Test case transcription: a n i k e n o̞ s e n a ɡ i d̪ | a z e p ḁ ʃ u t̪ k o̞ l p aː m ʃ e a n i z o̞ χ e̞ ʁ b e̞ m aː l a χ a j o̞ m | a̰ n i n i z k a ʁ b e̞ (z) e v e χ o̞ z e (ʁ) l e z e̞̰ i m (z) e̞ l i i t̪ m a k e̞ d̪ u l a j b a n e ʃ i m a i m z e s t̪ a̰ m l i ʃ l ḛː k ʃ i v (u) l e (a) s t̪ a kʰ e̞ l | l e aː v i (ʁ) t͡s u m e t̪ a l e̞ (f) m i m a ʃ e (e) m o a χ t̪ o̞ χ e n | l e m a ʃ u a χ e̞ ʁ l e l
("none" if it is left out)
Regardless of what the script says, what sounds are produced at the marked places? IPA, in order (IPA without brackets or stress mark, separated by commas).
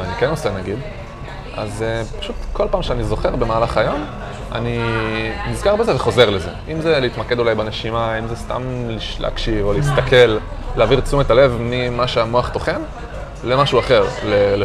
z, ʁ, z, o, i, ʁ, v, a